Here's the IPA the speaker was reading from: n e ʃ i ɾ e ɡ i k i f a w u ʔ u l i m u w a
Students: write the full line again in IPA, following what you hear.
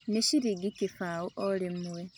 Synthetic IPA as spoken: n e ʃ i ɾ i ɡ i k i f a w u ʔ o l i m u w e